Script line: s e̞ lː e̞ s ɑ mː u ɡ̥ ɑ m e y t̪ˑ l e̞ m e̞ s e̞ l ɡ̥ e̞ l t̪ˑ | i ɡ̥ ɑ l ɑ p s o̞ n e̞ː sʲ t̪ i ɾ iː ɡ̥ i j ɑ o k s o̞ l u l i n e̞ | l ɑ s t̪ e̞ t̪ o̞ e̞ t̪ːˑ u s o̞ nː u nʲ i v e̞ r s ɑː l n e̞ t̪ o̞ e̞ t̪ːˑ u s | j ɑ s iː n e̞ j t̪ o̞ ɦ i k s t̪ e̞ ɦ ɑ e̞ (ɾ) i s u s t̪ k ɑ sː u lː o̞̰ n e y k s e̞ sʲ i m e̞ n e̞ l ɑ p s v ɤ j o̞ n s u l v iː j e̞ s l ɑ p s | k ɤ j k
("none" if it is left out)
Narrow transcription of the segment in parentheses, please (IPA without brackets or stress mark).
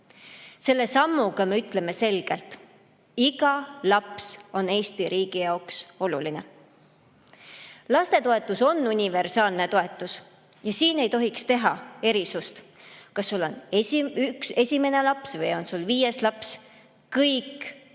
ɾ